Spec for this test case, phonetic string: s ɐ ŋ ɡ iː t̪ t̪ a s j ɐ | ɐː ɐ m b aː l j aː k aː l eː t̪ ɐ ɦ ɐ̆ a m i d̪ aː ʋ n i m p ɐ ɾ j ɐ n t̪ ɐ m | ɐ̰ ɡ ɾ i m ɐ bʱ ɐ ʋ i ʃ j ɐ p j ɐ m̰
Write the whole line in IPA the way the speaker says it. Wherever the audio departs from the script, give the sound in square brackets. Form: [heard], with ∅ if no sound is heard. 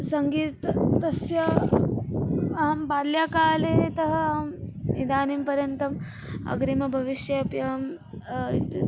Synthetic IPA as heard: s ɐ ŋ ɡ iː t̪ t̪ [ɐ] s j ɐ | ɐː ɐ m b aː l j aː k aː l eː t̪ ɐ ɦ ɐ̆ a m i d̪ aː [∅] n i m p ɐ ɾ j ɐ n t̪ ɐ m | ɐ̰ ɡ ɾ i m ɐ bʱ ɐ ʋ i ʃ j ɐ p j ɐ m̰